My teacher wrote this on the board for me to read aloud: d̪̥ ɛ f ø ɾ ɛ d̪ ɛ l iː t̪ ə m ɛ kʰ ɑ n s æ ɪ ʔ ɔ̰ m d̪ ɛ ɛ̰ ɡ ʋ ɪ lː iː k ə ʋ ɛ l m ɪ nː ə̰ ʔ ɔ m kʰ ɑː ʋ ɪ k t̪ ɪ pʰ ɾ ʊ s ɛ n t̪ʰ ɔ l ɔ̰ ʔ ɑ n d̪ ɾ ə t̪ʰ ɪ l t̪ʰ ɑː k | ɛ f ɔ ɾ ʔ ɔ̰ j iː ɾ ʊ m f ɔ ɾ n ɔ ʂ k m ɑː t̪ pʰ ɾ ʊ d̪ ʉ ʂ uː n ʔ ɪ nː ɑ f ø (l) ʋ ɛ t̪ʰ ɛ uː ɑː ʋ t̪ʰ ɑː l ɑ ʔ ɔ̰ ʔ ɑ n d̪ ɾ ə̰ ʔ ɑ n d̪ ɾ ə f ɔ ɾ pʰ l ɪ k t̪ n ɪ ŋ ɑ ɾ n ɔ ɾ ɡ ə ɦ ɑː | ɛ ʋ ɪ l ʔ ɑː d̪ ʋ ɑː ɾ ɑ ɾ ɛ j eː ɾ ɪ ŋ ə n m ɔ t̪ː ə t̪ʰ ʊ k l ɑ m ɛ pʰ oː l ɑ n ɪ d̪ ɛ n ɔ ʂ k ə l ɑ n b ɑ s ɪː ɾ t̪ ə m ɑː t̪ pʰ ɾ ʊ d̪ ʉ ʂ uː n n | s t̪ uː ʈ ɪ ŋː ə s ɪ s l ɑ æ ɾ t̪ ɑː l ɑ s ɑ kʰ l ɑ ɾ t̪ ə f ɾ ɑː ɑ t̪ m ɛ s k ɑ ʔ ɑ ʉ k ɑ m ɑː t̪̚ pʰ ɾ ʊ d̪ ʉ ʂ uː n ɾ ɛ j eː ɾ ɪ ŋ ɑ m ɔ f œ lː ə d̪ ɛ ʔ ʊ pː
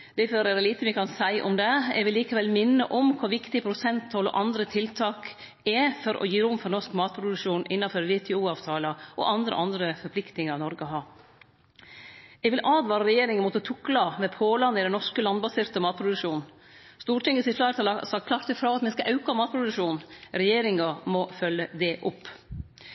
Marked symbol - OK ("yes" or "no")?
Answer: no